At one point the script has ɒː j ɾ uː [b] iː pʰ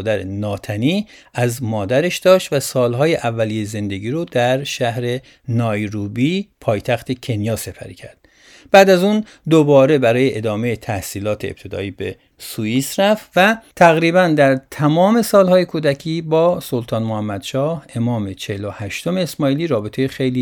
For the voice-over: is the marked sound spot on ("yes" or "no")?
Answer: yes